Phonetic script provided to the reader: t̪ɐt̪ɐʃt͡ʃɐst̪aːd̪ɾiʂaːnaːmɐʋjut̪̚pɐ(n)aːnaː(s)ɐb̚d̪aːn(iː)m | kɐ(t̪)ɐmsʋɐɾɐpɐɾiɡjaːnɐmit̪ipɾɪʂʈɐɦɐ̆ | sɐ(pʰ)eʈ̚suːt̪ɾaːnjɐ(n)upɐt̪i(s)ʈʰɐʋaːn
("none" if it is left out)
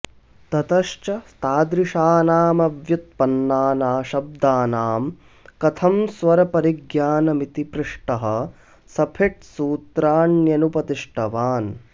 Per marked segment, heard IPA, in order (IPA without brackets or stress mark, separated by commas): nː, ʃ, aː, t̪ʰ, pʰ, n, ʂ